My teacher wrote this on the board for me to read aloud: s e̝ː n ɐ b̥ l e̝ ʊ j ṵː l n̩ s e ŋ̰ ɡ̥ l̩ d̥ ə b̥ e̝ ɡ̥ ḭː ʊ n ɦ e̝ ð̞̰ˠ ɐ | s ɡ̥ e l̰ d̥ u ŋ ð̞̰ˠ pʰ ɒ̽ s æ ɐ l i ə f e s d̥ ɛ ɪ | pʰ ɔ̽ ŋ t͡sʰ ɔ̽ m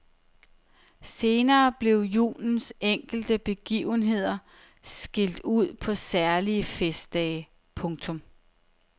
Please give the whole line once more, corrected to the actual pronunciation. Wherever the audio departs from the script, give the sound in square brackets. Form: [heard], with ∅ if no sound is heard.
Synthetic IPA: s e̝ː n [ɐː] b̥ l e̝ ʊ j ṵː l n̩ s e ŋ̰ ɡ̥ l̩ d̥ ə b̥ e̝ ɡ̥ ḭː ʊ n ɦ e̝ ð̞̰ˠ ɐ | s ɡ̥ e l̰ d̥ u [∅] ð̞̰ˠ pʰ ɒ̽ s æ ɐ l i ə f e s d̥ ɛ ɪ | pʰ ɔ̽ ŋ t͡sʰ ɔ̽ m